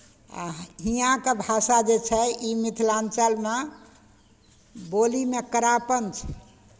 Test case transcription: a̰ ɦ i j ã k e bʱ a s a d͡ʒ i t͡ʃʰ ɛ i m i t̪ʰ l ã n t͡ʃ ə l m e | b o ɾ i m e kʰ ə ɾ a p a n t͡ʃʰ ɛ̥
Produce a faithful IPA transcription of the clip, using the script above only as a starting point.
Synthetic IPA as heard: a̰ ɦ i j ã k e bʱ a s a d͡ʒ e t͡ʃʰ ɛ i m i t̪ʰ l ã n t͡ʃ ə l m e | b o l i m e k ə ɾ a p ə n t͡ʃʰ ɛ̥